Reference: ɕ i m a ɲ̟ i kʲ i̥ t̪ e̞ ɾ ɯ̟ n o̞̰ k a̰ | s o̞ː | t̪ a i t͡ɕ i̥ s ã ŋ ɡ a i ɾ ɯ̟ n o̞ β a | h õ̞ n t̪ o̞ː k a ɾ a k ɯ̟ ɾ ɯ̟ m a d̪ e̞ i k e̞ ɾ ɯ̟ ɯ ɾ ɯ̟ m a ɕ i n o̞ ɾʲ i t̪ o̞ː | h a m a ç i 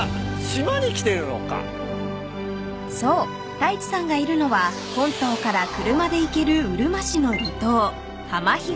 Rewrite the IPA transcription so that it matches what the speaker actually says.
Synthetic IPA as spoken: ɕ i m a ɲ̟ i kʲ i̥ t̪ e̞ ɾ ɯ̟ n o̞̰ k a̰ | s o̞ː | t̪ a i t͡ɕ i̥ s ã ŋ ɡ a i ɾ ɯ̟ n o̞ β a | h õ̞ n t̪ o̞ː k a ɾ a k ɯ̟ ɾ ɯ̟ m a d̪ e̞ i k e̞ ɾ ɯ̟ ɯ ɾ ɯ̟ m a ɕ i n o̞ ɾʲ i t̪ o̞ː | h a m a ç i